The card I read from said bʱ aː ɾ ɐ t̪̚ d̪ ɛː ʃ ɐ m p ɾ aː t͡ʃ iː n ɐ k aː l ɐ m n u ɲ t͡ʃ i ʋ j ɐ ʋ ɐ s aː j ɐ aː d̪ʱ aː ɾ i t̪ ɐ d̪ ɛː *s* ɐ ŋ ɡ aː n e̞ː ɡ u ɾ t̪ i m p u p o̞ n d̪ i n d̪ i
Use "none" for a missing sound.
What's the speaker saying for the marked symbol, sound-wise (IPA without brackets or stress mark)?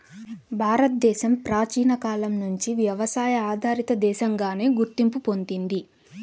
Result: ʃ